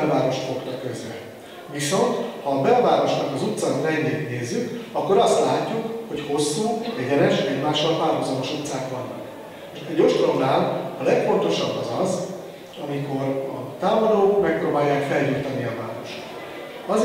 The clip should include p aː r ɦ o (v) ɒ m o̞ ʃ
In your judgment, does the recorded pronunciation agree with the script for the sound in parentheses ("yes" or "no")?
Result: no